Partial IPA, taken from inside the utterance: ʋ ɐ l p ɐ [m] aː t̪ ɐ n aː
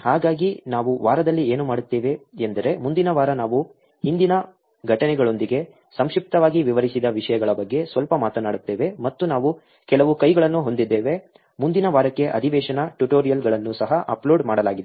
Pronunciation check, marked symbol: correct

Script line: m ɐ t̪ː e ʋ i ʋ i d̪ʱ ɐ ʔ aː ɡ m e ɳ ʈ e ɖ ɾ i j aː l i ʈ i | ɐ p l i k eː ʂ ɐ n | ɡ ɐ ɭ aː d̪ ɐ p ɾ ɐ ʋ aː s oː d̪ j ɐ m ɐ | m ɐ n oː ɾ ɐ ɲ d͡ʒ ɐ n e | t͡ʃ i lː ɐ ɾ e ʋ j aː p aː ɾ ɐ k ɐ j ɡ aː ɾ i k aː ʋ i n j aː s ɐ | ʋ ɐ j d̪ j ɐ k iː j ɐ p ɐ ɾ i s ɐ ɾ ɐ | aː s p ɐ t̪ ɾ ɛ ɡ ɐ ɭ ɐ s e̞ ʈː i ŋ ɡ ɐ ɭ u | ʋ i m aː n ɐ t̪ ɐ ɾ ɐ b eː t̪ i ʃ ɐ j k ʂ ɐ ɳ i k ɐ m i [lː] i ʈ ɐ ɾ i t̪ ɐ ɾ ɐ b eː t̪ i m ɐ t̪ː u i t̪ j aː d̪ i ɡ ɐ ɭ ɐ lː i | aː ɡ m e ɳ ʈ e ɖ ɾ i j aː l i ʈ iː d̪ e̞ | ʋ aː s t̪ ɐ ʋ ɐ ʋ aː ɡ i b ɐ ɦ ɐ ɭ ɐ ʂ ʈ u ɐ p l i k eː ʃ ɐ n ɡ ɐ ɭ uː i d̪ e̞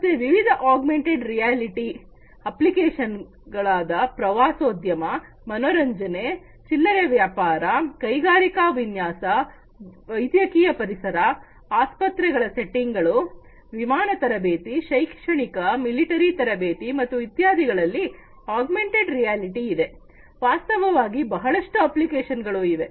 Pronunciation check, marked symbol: incorrect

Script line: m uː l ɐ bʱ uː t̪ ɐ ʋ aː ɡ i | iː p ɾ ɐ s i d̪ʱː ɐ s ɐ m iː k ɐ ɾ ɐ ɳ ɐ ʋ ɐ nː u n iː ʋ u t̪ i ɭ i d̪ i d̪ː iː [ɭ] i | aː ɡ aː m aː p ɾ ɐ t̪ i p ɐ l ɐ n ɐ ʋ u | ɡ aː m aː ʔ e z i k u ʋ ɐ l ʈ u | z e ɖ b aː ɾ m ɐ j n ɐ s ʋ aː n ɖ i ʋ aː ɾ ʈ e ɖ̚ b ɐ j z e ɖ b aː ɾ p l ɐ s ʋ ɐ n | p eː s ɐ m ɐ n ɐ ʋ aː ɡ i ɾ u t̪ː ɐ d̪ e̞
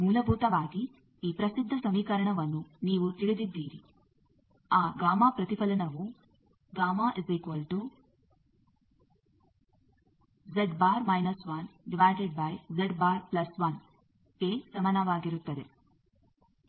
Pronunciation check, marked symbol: incorrect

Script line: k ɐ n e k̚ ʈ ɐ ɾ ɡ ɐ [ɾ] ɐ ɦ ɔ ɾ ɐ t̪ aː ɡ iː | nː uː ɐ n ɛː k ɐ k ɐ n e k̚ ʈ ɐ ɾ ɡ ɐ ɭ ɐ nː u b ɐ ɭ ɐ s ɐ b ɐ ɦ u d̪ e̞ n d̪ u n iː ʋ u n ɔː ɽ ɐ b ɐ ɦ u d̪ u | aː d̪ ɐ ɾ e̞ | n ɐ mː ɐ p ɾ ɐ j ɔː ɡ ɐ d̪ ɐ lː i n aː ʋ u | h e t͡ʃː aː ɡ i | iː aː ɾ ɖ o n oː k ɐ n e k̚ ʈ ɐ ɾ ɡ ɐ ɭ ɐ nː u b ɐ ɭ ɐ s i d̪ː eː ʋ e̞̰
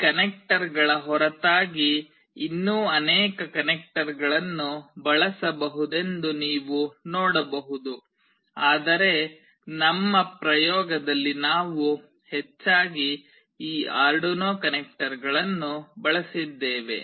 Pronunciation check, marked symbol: incorrect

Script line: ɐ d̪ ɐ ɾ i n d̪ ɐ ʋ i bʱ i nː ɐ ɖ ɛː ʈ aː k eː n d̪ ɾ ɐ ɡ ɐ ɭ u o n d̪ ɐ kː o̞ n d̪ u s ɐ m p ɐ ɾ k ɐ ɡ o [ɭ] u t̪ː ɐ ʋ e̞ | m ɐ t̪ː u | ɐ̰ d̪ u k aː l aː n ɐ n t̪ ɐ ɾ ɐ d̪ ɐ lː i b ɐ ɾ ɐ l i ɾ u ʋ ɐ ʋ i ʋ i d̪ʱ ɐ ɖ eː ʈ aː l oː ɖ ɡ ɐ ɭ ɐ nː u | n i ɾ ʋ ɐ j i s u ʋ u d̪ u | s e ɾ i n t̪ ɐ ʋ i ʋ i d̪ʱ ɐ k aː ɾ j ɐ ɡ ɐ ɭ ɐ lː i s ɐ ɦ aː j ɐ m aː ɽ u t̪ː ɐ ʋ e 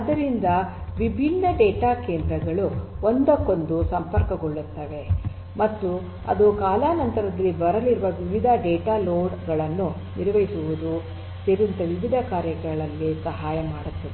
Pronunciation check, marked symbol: incorrect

